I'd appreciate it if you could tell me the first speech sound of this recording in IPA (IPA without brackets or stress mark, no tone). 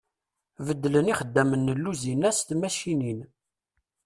v